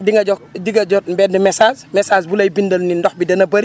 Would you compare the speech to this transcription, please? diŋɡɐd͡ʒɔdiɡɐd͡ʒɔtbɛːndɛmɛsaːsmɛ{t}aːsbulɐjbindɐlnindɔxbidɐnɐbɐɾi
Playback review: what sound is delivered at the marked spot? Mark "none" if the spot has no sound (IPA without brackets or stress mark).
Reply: s